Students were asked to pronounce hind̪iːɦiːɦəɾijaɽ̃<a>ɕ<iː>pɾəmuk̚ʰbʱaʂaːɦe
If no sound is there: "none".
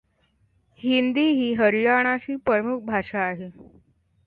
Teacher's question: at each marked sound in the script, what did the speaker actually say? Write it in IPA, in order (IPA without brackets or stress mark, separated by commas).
a, iː